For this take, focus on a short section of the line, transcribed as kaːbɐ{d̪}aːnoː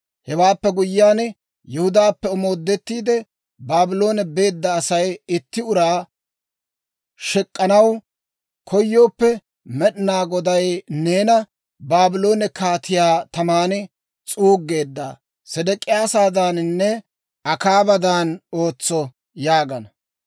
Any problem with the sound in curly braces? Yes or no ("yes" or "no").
no